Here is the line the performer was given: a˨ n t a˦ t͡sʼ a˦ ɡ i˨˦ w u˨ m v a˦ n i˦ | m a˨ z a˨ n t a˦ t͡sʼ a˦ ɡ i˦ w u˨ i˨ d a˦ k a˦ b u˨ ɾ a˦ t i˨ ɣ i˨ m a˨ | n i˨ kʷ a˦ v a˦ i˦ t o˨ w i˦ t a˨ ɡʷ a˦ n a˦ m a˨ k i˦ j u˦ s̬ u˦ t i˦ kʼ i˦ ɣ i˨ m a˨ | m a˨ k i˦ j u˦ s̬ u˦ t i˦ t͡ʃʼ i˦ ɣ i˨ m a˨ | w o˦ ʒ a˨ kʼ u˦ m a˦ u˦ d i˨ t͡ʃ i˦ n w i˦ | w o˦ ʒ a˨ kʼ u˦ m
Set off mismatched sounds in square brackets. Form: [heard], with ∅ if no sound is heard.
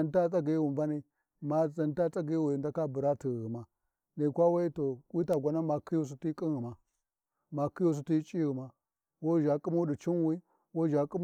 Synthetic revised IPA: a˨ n t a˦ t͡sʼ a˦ ɡ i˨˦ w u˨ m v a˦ n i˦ | m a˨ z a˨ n t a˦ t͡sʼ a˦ ɡ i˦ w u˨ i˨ d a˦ k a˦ b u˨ ɾ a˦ t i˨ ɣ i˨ m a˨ | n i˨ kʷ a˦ [w] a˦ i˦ t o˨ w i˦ t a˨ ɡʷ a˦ n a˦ m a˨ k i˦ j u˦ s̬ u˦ t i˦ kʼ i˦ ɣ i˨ m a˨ | m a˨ k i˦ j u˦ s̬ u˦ t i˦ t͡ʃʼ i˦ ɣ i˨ m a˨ | w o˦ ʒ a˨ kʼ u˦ m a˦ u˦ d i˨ t͡ʃ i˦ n w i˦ | w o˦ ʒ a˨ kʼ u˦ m

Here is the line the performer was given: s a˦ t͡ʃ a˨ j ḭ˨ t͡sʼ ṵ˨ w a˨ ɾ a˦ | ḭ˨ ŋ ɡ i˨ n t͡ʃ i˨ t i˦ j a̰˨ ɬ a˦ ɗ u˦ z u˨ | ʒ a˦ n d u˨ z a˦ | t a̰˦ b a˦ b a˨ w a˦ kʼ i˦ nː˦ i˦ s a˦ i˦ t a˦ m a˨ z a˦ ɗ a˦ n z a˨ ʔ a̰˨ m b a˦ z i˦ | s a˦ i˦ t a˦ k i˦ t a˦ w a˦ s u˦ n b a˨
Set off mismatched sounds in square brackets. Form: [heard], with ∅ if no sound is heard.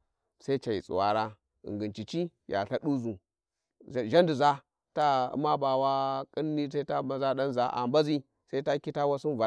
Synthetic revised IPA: s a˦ t͡ʃ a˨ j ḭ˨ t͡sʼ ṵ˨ w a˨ ɾ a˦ | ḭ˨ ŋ ɡ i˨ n t͡ʃ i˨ [t͡ʃ] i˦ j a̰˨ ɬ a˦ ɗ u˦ z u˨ | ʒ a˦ n d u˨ z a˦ | t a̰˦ [m] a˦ b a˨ w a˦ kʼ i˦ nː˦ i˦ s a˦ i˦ t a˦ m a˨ z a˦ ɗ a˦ n z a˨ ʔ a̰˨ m b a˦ z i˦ | s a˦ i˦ t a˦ k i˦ t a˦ w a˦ s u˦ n [v] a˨

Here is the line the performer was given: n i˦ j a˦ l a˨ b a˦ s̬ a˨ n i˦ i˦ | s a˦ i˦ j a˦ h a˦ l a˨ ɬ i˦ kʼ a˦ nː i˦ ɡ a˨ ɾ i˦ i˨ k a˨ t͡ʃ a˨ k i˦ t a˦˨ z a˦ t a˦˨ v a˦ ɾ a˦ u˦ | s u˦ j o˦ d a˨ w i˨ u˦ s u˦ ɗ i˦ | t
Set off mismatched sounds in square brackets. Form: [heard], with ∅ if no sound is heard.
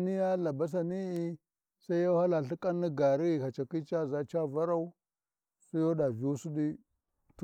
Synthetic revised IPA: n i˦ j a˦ l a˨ b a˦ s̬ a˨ n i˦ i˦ | s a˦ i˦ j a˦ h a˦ l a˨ ɬ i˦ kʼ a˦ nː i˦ ɡ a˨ ɾ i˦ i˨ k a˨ t͡ʃ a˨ k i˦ [t͡ʃ] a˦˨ z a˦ [t͡ʃ] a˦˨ v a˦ ɾ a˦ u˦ | s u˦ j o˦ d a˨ [v] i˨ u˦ s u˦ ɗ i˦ | t

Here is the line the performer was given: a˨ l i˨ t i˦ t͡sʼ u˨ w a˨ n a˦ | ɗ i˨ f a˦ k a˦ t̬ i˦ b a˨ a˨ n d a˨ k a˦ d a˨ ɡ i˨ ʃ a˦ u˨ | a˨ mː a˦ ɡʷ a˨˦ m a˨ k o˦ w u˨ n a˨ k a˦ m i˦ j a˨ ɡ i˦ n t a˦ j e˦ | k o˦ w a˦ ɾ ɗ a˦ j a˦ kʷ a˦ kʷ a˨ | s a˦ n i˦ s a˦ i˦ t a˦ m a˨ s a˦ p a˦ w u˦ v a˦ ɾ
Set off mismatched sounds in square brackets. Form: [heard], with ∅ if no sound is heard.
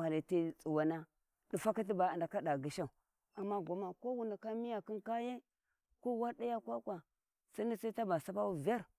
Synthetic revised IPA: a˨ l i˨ t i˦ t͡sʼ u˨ w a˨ n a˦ | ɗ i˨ f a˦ k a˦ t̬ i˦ b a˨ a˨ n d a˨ k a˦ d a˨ ɡ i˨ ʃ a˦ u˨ | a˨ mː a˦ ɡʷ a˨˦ m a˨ k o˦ w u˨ n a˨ k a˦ m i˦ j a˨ [k] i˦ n [k] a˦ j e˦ | k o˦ w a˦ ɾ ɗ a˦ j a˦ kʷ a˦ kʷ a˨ | s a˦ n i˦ s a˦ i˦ t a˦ [b] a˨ s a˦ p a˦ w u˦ v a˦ ɾ

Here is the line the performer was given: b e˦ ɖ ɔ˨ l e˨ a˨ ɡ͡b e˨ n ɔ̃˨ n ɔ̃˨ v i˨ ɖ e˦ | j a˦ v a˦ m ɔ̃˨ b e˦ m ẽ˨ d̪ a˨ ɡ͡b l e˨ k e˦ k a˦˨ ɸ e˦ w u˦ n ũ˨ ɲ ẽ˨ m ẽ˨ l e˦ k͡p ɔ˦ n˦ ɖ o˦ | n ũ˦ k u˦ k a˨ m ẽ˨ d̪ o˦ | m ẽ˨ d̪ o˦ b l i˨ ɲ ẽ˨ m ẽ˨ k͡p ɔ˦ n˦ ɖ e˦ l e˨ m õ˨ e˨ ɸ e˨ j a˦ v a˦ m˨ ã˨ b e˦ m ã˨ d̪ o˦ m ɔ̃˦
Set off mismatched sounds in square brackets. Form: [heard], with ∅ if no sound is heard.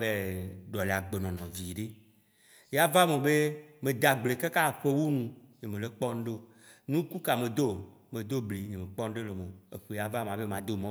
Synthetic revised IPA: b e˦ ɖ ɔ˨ l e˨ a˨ ɡ͡b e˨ n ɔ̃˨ n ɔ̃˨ v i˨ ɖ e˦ | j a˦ v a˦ m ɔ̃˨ b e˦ m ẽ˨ d̪ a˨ ɡ͡b l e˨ k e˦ k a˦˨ ɸ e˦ w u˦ n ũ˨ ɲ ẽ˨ m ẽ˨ l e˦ k͡p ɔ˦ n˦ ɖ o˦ | n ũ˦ k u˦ k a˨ m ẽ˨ d̪ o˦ | m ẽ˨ d̪ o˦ b l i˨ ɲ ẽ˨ m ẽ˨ k͡p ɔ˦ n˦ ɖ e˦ l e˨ m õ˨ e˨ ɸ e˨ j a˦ v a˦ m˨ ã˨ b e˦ m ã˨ d̪ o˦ m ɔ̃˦

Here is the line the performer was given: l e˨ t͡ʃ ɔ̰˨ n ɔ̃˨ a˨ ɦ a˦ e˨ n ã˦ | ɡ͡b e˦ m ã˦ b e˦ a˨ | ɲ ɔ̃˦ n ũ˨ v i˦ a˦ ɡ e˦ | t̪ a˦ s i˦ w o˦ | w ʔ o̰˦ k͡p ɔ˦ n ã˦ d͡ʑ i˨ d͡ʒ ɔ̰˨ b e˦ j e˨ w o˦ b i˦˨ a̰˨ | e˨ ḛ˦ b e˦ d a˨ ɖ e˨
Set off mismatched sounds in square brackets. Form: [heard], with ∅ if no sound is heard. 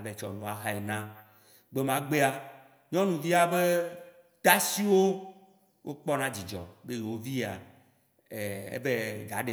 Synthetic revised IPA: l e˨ t͡ʃ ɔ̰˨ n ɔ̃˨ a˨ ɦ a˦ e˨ n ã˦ | ɡ͡b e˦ m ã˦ [ɡ͡b] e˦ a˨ | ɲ ɔ̃˦ n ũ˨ v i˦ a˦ [b] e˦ | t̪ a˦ s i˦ w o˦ | w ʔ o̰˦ k͡p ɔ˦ n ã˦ d͡ʑ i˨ d͡ʒ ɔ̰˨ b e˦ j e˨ w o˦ [v] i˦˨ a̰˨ | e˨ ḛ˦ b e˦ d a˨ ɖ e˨

